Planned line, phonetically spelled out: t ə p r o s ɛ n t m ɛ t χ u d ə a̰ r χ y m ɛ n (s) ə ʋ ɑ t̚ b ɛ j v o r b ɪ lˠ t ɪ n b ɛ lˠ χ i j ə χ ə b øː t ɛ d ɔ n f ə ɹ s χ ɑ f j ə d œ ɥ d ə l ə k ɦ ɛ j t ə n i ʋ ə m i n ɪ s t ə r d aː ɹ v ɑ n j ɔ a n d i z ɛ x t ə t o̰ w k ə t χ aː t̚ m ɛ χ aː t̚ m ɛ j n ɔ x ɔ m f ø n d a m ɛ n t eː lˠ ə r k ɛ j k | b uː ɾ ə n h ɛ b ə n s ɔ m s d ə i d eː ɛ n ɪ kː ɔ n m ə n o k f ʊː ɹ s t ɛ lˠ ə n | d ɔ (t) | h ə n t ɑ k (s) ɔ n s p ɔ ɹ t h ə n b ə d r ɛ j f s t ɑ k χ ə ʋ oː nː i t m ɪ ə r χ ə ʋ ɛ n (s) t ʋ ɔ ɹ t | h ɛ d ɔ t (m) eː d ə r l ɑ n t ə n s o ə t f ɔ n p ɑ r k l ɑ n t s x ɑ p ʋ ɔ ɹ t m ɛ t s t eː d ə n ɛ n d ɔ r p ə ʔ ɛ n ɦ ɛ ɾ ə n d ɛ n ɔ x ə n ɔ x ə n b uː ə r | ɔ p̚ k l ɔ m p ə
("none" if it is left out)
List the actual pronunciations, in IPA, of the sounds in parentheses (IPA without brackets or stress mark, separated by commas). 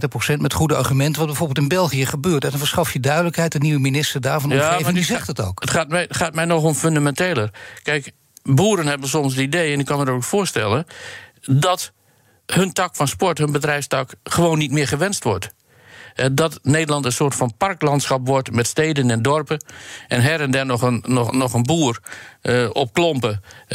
t, t, f, s, n